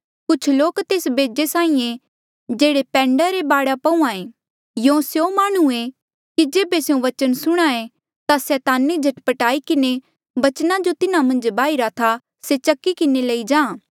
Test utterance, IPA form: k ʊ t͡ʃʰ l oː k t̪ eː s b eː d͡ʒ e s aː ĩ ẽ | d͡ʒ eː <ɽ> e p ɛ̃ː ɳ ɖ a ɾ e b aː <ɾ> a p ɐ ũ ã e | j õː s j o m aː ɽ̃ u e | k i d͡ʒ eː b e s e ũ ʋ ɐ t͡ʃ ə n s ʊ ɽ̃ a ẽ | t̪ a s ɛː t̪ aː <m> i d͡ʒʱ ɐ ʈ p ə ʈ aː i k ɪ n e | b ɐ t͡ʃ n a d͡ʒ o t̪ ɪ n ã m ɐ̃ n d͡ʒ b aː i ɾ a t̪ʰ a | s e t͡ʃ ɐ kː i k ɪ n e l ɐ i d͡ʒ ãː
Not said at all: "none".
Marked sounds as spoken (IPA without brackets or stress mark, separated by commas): ɽ, ɽ, n